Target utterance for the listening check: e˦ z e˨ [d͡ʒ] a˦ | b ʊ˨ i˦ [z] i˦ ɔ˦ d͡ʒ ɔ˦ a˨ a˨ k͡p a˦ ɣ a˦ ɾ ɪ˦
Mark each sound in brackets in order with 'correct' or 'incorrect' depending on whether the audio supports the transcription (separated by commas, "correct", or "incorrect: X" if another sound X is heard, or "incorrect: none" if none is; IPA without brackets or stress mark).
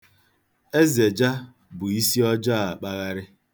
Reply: correct, incorrect: s